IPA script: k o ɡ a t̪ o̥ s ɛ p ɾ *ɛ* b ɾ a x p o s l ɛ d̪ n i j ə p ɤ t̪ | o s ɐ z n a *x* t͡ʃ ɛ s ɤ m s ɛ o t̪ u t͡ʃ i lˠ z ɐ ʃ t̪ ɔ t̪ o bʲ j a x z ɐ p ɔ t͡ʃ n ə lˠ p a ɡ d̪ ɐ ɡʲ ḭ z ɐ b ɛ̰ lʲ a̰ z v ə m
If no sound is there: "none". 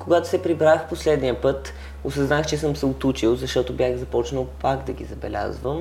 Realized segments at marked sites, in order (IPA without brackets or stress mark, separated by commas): i, x